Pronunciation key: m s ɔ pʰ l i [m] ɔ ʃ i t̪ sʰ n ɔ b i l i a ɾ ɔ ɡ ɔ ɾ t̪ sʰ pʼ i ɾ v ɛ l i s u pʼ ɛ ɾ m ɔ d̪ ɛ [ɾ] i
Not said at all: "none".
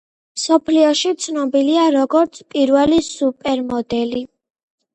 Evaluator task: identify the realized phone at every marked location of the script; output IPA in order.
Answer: none, l

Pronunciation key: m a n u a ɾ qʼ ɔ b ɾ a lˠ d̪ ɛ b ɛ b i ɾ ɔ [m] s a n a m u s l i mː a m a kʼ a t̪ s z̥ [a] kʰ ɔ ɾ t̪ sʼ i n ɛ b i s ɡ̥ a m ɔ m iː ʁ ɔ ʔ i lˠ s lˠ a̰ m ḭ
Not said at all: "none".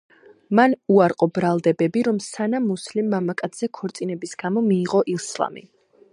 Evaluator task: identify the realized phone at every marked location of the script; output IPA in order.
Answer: m, ɛ

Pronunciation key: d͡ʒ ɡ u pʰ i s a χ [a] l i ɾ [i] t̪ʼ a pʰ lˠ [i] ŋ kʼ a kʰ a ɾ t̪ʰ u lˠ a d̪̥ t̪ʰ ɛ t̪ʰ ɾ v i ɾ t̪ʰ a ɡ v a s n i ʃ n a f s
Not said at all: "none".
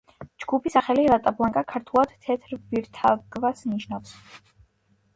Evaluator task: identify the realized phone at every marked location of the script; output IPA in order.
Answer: ɛ, a, a

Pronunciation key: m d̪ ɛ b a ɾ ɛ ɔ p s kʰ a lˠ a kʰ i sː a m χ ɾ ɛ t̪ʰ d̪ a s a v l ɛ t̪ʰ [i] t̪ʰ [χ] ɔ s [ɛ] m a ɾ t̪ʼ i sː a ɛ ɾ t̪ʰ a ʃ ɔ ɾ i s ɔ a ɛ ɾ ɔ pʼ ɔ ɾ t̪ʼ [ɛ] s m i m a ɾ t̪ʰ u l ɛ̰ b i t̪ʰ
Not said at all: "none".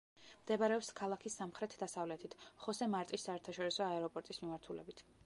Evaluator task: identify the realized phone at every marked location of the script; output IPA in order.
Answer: i, χ, ɛ, i

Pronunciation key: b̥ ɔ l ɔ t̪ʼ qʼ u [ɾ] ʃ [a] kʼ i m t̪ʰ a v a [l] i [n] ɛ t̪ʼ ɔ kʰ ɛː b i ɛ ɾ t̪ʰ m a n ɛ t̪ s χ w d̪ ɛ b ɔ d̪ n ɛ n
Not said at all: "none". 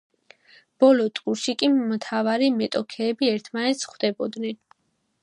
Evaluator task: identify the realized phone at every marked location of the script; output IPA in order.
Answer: ɾ, i, ɾ, m

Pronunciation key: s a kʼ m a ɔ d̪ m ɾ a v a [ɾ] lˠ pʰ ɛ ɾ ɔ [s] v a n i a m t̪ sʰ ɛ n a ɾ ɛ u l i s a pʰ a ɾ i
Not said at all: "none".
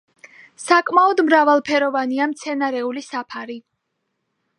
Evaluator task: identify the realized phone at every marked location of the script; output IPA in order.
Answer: none, none

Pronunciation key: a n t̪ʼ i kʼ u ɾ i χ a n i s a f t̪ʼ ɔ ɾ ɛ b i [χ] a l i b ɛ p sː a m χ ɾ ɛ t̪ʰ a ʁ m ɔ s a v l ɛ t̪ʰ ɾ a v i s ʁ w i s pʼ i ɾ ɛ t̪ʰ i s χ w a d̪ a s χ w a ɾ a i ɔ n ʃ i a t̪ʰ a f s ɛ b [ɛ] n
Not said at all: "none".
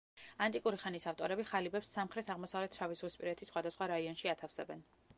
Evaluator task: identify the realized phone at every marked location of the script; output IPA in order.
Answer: χ, ɛ

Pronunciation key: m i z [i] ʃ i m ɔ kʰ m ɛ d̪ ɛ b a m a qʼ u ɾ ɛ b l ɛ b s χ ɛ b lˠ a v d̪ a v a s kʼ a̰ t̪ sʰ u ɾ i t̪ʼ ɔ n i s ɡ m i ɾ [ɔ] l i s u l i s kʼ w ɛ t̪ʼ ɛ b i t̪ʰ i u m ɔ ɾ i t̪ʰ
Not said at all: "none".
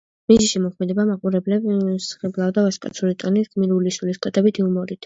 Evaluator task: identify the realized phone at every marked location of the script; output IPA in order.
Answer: i, u

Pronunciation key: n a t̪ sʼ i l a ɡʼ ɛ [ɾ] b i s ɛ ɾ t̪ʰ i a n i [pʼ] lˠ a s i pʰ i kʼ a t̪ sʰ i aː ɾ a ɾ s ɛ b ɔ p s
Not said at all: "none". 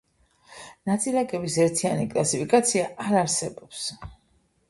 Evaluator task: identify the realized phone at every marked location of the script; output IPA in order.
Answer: none, kʼ

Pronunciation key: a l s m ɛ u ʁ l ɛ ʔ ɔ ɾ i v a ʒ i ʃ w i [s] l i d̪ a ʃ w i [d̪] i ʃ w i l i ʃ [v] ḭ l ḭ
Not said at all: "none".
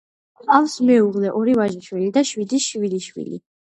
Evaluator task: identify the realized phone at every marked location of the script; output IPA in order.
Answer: none, d̪, w

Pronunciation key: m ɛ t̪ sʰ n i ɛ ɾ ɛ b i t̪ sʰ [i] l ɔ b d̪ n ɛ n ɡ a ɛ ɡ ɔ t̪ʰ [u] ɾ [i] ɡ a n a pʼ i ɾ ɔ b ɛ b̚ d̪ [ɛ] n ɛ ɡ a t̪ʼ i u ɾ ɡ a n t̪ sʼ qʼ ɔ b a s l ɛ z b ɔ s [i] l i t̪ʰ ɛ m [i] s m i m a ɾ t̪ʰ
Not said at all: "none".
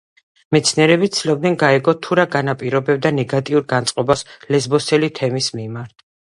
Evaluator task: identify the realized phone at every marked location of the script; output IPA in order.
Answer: i, u, a, a, ɛ, i

